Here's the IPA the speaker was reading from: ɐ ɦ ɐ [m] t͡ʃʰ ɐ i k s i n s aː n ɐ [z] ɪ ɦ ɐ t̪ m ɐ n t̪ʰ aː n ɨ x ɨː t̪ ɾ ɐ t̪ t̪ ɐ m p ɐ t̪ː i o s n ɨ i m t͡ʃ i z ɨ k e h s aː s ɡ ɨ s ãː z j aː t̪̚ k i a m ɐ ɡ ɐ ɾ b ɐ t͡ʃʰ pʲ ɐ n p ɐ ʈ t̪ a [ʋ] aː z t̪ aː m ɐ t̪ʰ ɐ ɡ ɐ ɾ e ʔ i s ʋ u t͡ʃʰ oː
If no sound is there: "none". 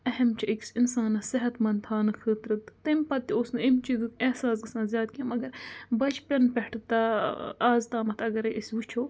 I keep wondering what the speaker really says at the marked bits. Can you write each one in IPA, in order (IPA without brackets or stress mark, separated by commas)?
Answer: m, s, none